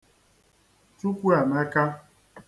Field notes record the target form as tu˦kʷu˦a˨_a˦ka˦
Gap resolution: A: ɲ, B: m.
B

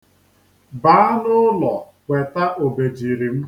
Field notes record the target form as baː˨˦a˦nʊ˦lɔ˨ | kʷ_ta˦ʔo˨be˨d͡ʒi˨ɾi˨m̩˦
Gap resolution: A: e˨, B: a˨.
A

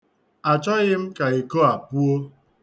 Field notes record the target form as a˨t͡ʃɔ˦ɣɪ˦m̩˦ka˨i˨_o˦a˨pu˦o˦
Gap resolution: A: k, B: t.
A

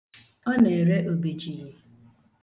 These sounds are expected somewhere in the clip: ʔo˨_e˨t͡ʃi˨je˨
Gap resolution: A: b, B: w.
A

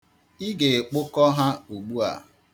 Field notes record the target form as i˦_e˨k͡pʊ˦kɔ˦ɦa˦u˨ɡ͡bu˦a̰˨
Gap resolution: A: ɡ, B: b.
A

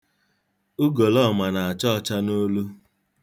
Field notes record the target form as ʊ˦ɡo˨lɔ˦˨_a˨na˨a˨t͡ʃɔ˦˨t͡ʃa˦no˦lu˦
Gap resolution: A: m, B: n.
A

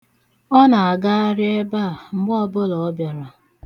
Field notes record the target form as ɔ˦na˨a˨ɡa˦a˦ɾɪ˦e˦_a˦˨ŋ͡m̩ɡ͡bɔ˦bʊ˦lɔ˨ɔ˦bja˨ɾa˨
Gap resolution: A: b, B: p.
A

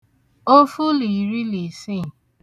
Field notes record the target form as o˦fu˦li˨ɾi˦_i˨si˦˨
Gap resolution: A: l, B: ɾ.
A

